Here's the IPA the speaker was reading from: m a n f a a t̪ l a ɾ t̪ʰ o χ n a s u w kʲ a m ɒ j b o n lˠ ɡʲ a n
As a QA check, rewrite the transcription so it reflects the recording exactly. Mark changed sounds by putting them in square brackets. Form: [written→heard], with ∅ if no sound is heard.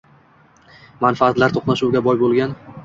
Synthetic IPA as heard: m a n f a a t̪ l a ɾ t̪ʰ o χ n a [s→ʃ] u w [kʲ→ɡʲ] a [m→b] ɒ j b o [n→∅] lˠ ɡʲ a n

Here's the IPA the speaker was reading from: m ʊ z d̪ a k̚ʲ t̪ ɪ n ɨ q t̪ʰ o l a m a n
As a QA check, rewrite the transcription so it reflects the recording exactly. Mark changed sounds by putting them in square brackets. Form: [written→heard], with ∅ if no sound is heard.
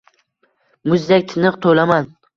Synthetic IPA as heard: m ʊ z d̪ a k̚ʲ [t̪→t̪ʰ] ɪ n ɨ q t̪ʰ o l a m a n

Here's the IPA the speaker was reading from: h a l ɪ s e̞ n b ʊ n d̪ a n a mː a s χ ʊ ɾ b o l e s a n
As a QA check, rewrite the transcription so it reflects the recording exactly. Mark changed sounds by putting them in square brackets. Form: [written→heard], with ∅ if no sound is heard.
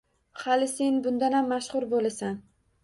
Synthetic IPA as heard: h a l ɪ s e̞ n b ʊ n d̪ a n a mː a [s→ʃ] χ ʊ ɾ b o l [e→a] s a n

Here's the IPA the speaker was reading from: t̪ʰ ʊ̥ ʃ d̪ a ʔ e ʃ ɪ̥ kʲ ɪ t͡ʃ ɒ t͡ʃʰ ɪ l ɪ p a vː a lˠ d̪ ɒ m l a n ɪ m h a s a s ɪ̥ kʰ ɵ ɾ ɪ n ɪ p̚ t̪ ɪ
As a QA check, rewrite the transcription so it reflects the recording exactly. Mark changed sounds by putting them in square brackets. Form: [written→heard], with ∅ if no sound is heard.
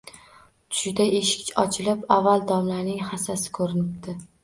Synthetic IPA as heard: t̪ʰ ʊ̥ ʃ d̪ a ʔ e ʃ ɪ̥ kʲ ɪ t͡ʃ ɒ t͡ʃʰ ɪ l ɪ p a vː a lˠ d̪ ɒ m l a n ɪ [m→ŋ] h a s a s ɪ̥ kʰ ɵ ɾ ɪ n ɪ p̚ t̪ ɪ

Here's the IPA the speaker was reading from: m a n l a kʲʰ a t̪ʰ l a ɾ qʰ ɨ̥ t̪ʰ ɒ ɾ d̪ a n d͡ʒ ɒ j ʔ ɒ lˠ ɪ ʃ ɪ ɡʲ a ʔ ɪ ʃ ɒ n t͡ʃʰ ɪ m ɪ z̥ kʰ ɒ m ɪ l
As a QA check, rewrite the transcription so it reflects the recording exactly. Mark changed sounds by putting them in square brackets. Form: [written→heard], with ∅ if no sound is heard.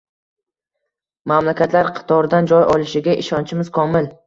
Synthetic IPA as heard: m a [n→m] l a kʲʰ a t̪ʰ l a ɾ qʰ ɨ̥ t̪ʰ ɒ ɾ d̪ a n d͡ʒ ɒ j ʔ ɒ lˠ ɪ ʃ ɪ ɡʲ a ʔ ɪ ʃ ɒ n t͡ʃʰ ɪ m ɪ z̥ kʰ ɒ m ɪ l

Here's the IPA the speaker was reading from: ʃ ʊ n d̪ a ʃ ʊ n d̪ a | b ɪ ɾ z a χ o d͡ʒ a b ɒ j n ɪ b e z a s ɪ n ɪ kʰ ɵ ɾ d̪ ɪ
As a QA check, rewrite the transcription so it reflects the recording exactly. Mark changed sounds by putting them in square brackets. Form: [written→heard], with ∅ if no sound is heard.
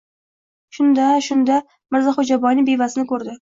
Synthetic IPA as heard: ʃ ʊ n d̪ a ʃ ʊ n d̪ a | [b→m] ɪ ɾ z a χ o d͡ʒ a b ɒ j n ɪ b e [z→v] a s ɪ n ɪ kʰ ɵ ɾ d̪ ɪ

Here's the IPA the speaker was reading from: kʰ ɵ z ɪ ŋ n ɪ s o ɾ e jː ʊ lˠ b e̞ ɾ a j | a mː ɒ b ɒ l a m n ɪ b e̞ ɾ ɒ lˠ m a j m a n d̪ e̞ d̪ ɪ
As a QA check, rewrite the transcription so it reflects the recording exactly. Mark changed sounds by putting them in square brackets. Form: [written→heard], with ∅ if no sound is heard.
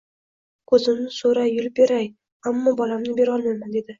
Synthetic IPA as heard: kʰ ɵ z ɪ [ŋ→m] n ɪ s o ɾ [e→a] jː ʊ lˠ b e̞ ɾ a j | a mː ɒ b ɒ l a m n ɪ b e̞ ɾ ɒ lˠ m a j m a n d̪ e̞ d̪ ɪ

